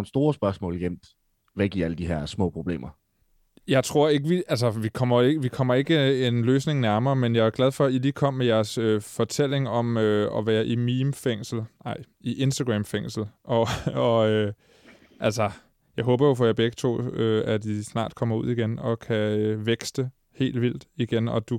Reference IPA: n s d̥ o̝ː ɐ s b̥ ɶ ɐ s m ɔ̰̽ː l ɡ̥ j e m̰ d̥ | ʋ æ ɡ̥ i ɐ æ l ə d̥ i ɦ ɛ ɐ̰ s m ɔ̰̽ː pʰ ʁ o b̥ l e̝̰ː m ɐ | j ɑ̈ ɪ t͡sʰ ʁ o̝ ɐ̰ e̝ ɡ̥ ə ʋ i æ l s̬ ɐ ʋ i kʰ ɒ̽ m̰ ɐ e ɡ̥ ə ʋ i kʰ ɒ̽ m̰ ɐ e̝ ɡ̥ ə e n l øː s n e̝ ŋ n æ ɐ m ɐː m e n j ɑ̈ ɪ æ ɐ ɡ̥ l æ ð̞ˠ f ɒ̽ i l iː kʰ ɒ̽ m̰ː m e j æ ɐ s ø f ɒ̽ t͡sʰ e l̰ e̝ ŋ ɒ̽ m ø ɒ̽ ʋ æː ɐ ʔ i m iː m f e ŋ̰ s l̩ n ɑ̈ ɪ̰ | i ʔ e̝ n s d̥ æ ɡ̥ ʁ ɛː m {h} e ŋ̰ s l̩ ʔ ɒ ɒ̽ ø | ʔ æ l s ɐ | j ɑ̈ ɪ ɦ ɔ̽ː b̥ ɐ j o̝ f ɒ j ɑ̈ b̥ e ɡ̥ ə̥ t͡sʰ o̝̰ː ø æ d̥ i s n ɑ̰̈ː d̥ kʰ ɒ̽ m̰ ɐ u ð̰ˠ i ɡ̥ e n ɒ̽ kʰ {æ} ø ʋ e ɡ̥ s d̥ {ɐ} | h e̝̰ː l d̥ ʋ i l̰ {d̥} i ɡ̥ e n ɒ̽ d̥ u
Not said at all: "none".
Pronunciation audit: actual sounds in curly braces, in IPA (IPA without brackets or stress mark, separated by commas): f, æ, ə, d̥